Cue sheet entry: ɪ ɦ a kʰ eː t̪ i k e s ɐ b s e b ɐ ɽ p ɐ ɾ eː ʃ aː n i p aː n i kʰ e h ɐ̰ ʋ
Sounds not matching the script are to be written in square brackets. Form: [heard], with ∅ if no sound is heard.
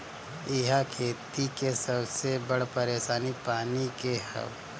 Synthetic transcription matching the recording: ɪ ɦ a kʰ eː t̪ i k e s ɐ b s e b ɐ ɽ p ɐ ɾ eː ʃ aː n i p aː n i [k] e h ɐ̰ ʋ

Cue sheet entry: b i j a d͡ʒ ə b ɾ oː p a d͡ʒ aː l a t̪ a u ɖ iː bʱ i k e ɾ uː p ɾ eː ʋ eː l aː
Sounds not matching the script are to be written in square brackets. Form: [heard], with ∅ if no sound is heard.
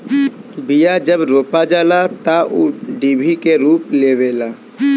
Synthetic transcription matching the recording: b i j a d͡ʒ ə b ɾ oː p a d͡ʒ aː l a t̪ a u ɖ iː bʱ i k e ɾ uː p [l] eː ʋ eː l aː

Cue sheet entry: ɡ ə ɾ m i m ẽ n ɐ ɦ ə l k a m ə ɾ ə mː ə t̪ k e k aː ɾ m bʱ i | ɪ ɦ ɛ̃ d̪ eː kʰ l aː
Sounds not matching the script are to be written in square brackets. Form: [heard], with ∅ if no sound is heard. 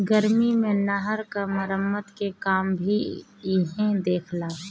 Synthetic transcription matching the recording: ɡ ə ɾ m i m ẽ n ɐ ɦ ə [ɾ] k a m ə ɾ ə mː ə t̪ k e k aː [∅] m bʱ i | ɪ ɦ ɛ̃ d̪ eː kʰ l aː

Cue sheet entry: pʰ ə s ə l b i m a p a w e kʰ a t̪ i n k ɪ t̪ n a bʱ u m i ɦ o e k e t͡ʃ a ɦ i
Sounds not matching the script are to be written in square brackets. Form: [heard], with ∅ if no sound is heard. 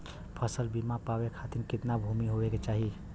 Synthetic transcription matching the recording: pʰ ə s ə l b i m a p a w e kʰ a t̪ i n k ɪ t̪ n a bʱ u m i ɦ o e k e t͡ʃ a ɦ i

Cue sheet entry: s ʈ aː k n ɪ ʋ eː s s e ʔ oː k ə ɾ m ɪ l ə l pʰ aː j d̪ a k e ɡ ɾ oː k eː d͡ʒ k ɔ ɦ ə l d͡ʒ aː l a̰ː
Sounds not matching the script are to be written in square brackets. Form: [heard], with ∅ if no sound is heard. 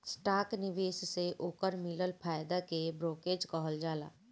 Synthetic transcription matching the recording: s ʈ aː k n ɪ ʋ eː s s e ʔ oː k ə ɾ m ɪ l ə l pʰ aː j d̪ a k e [b] ɾ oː k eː d͡ʒ k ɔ ɦ ə l d͡ʒ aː l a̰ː

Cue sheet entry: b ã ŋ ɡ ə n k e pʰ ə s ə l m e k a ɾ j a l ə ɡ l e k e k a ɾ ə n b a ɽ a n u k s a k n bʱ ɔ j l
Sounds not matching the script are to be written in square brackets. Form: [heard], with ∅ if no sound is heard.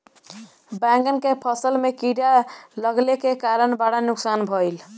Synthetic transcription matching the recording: b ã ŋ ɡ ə n k e pʰ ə s ə l m e k [i] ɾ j a l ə ɡ l e k e k a ɾ ə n b a ɽ a n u k s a [∅] n bʱ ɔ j l

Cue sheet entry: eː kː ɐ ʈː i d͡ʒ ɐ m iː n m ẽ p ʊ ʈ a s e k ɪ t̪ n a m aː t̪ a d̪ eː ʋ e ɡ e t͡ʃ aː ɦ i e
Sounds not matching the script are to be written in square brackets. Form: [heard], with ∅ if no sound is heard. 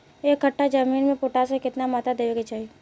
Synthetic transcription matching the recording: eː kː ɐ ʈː [a] d͡ʒ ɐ m iː n m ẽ p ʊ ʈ a s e k ɪ t̪ n a m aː t̪ a d̪ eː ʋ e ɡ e t͡ʃ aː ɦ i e

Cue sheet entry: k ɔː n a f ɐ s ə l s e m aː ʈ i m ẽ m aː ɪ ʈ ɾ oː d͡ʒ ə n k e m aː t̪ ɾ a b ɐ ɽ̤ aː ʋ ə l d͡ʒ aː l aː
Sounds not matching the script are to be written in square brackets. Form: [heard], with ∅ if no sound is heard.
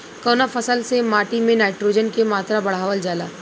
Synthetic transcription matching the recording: k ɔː n a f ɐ s ə l s e m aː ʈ i m ẽ [n] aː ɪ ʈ ɾ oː d͡ʒ ə n k e m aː t̪ ɾ a b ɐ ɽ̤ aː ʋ ə l d͡ʒ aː l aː

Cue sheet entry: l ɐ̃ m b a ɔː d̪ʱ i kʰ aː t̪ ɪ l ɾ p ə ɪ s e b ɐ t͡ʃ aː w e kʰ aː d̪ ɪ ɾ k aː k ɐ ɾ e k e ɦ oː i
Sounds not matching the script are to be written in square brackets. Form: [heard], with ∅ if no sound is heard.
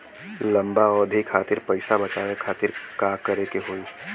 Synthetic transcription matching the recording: l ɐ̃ m b a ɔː d̪ʱ i kʰ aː t̪ ɪ [∅] ɾ p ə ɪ s [a] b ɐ t͡ʃ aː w e kʰ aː [t̪] ɪ ɾ k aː k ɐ ɾ e k e ɦ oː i

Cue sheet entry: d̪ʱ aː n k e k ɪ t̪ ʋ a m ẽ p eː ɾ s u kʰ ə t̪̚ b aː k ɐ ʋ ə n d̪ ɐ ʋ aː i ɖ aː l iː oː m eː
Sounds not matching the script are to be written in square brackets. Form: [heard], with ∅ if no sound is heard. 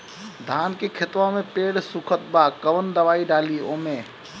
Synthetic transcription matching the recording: d̪ʱ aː n k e [kʰ] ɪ t̪ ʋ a m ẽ p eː [ɽ] s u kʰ ə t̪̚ b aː k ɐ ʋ ə n d̪ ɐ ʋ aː i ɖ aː l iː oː m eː

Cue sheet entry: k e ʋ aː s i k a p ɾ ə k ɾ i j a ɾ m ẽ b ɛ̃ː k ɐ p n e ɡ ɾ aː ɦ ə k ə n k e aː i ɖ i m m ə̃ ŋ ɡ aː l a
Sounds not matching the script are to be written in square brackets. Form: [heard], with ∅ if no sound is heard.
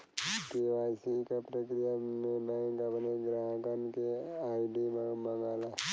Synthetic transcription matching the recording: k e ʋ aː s i k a p ɾ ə k ɾ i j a [∅] m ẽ b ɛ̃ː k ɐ p n e ɡ ɾ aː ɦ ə k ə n k e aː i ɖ i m m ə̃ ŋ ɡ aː l a

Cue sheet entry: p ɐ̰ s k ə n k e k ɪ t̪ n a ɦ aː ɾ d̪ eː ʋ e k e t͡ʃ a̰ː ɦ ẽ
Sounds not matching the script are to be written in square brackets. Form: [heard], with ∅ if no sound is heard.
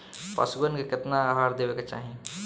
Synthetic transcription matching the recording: p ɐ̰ s [ɡ] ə n k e k ɪ t̪ n a ɦ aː ɾ d̪ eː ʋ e k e t͡ʃ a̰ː ɦ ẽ

